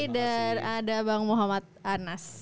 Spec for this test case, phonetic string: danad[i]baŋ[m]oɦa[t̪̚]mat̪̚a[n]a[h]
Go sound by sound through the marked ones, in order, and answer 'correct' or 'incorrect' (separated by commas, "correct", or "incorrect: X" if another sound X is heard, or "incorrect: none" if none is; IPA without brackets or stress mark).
incorrect: a, correct, incorrect: none, correct, incorrect: s